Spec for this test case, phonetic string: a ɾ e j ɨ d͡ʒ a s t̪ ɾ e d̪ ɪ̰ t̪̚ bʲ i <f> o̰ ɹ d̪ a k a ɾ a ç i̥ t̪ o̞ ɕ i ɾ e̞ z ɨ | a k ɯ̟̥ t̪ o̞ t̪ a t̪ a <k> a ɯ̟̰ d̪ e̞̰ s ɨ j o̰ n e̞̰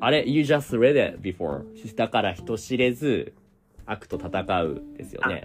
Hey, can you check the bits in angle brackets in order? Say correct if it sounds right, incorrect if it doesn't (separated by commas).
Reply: correct, correct